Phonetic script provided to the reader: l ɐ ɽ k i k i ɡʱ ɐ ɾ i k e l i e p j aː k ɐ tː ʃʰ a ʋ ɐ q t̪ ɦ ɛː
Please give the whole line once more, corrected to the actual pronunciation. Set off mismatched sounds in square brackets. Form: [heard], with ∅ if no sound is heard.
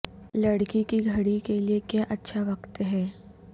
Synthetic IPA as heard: l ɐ ɽ k i k i ɡʱ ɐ [ɽ] i k e l i e [k] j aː [ʔ] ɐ tː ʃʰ a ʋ ɐ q t̪ ɦ ɛː